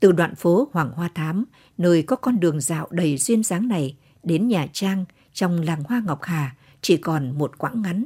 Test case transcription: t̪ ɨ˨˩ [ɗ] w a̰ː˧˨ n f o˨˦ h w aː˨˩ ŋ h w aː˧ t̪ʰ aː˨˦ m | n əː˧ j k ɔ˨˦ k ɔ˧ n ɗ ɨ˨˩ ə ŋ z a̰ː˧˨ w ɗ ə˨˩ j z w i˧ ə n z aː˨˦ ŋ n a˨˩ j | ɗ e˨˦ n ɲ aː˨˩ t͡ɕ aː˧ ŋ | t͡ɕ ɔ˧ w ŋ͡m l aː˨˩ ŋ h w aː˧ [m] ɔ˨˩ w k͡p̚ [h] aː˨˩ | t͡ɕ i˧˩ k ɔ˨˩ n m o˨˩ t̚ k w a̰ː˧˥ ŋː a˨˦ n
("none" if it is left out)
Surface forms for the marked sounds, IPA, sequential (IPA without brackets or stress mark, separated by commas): ɗ, ŋ, h